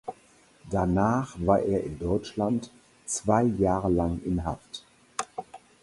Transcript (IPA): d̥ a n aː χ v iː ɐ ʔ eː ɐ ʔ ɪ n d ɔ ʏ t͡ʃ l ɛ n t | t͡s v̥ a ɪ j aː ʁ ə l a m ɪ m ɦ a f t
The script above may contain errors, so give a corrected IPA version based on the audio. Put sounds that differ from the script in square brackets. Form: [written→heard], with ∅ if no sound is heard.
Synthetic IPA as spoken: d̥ a n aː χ v [iː→aː] ɐ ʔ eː ɐ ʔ ɪ n d ɔ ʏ t͡ʃ l [ɛ→a] n t | t͡s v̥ a ɪ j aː ʁ ə l a [m→ŋ] ɪ [m→n] ɦ a f t